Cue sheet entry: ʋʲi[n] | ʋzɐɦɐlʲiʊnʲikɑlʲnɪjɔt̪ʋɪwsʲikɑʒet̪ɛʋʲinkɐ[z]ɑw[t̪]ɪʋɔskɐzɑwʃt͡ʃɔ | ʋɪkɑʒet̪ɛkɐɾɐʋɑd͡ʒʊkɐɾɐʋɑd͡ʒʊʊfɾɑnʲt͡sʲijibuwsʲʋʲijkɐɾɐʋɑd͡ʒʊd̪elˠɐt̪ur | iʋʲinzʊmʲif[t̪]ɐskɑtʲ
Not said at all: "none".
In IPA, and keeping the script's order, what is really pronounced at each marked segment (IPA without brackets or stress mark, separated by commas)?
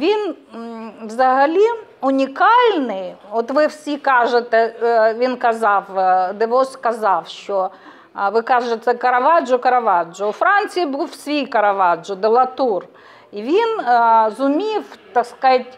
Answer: n, z, d̪, t̪